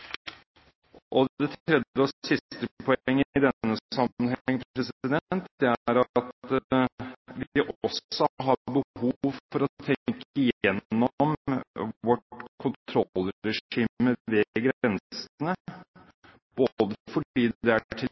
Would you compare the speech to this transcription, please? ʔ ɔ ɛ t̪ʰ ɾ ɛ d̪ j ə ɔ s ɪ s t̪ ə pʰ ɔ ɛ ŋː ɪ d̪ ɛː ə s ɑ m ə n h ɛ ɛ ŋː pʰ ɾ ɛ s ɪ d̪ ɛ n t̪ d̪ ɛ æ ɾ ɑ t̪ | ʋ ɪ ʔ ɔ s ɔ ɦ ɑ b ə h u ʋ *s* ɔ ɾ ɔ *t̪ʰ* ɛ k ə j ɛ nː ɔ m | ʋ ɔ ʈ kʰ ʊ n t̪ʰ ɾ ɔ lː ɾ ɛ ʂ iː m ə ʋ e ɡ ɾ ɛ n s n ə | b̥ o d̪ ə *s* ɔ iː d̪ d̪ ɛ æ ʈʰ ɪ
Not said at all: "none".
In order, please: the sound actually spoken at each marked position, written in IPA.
f, t̪ʰ, f

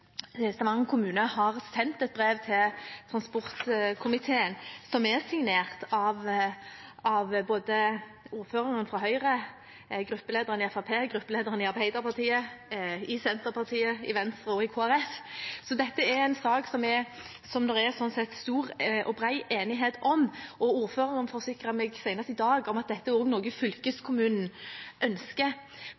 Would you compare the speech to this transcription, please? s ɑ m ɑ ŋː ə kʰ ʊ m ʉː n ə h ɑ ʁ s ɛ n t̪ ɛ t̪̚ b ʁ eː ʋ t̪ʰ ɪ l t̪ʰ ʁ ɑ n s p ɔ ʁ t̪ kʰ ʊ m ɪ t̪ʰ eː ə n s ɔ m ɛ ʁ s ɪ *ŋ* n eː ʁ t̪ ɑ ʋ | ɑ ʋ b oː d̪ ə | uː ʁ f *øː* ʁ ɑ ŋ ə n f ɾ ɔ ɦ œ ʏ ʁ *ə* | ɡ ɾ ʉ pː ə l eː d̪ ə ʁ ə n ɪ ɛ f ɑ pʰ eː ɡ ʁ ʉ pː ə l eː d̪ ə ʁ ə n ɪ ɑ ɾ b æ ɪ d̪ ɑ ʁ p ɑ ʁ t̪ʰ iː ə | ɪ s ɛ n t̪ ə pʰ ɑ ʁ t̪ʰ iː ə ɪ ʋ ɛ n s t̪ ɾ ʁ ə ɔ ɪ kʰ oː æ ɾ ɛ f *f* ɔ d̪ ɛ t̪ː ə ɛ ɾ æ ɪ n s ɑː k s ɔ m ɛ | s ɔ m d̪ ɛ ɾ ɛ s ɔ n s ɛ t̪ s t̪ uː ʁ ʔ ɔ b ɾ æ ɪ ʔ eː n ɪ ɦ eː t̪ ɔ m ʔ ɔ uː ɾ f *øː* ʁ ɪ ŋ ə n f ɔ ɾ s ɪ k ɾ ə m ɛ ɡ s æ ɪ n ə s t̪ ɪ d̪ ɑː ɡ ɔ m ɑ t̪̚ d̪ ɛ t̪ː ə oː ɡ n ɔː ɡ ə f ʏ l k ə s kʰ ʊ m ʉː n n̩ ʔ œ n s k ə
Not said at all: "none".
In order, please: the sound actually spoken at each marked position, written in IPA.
ŋ, øː, ə, s, øː

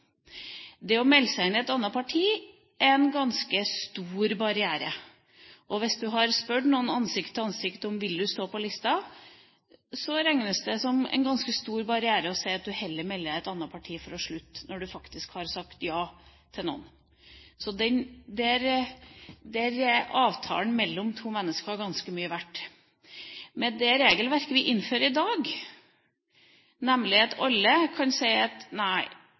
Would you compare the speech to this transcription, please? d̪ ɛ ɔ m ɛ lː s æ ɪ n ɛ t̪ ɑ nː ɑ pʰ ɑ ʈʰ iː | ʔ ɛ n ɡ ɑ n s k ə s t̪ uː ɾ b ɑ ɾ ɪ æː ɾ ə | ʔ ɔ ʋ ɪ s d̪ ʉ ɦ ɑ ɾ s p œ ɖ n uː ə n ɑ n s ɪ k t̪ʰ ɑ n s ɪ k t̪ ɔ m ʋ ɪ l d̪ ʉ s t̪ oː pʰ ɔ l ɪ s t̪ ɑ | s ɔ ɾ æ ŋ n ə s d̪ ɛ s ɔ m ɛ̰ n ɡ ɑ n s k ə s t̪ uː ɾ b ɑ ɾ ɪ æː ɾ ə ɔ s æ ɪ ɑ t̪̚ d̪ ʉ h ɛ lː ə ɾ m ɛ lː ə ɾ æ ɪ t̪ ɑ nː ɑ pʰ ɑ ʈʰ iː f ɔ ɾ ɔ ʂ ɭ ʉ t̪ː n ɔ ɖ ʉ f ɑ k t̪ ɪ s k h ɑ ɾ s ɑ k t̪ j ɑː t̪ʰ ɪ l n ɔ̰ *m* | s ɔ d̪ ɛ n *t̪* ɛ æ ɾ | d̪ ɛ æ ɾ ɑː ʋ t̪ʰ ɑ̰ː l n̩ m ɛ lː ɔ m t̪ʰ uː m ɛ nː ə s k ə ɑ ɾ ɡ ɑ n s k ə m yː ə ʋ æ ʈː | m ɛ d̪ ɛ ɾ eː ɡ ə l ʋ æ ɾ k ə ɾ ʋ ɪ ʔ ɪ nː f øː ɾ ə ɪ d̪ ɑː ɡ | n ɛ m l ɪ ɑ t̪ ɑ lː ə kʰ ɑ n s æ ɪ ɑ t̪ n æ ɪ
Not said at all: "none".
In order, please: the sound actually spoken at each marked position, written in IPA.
n, d̪

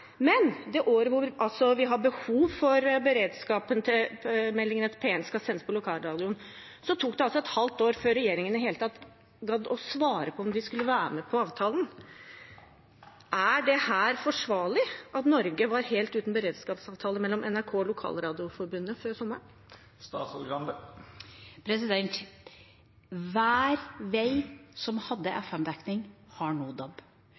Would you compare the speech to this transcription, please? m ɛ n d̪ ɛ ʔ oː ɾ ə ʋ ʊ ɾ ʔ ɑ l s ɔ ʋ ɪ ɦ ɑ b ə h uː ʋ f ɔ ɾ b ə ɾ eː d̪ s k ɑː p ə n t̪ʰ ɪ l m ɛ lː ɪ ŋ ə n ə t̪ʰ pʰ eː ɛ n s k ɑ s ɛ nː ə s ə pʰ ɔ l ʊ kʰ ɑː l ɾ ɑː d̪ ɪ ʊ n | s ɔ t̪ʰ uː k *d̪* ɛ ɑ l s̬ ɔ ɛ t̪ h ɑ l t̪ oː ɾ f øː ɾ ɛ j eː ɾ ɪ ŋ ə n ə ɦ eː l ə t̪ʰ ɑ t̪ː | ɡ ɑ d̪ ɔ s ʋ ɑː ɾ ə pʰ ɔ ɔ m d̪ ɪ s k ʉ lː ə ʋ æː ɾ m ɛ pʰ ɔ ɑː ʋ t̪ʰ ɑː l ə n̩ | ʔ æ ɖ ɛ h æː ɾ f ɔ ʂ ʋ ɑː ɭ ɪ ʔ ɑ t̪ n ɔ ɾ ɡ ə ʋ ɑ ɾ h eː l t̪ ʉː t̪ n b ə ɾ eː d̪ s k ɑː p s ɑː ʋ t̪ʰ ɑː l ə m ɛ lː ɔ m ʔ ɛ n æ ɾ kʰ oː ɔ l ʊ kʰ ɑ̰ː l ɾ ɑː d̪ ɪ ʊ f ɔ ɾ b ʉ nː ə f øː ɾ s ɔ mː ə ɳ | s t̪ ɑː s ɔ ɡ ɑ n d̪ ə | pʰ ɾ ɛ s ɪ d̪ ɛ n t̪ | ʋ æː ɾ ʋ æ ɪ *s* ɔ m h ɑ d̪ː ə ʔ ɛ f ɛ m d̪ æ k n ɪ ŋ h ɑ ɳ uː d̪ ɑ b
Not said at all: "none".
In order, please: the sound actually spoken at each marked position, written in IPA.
d̪, s

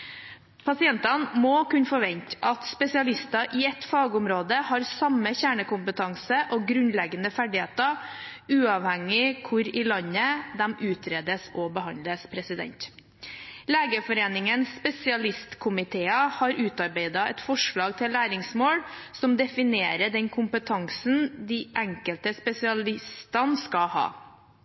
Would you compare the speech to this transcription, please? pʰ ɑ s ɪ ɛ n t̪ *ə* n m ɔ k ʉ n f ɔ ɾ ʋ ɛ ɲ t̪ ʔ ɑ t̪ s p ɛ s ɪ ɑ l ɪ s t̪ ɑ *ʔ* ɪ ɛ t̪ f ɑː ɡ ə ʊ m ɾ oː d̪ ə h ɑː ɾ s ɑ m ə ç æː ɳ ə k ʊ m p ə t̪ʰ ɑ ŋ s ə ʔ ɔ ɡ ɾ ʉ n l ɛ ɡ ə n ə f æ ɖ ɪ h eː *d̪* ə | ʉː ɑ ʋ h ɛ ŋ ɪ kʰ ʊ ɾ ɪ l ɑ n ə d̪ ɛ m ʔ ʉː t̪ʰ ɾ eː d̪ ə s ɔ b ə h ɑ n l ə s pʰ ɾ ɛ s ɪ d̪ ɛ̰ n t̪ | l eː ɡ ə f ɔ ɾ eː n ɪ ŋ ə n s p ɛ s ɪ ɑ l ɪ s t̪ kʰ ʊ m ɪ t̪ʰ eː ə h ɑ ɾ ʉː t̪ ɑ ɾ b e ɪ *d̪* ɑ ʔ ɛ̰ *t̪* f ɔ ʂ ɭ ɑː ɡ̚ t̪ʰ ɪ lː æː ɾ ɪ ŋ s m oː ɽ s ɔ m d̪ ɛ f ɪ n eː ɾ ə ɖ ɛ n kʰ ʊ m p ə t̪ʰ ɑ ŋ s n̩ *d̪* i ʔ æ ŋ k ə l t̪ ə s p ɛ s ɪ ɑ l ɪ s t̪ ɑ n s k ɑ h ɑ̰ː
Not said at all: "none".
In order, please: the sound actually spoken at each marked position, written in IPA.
ɑ, ʔ, t̪, d̪, t̪, d̪

